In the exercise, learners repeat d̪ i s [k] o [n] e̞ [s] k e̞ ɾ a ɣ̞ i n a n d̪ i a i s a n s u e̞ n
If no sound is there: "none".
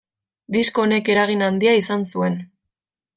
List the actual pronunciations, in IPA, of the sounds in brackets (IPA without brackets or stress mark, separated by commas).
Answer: k, n, none